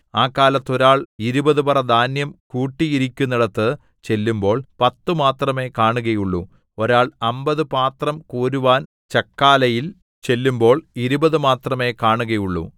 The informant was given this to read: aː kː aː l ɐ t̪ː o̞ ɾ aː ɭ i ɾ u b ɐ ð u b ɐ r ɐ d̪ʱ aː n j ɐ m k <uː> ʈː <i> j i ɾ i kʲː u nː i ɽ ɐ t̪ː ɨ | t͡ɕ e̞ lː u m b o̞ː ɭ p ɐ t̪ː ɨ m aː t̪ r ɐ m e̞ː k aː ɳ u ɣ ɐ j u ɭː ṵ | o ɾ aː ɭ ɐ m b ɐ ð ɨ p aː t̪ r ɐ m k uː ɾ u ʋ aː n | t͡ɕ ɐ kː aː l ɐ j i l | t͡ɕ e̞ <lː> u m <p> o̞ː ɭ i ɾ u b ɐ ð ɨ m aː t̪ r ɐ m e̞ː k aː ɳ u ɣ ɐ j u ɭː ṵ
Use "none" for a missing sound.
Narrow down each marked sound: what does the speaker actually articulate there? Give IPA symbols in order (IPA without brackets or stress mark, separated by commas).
uː, i, lː, b